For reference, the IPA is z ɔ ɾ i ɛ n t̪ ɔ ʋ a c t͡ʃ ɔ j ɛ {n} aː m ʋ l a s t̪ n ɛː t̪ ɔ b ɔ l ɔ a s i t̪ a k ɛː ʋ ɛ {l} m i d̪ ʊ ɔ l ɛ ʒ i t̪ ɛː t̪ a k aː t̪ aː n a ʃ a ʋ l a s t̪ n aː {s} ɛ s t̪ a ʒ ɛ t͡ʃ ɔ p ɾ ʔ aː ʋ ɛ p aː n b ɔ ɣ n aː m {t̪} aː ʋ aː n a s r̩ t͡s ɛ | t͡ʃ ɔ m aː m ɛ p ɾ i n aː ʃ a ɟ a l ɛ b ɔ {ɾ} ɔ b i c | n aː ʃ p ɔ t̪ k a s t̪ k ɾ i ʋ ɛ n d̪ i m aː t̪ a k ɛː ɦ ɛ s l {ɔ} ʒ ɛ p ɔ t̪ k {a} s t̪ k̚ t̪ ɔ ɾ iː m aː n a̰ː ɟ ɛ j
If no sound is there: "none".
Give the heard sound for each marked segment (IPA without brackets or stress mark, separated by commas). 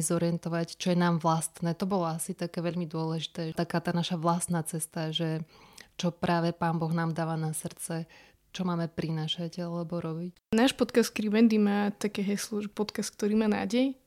n, ʎ, t͡s, d̪, ɾ, ɔ, a